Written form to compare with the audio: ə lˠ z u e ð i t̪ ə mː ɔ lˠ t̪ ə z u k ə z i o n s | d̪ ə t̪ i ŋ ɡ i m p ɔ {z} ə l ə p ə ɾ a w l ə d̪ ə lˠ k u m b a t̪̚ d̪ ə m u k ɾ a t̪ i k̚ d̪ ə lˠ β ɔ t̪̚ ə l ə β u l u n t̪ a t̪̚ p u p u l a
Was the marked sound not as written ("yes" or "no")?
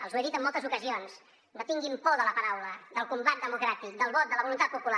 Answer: yes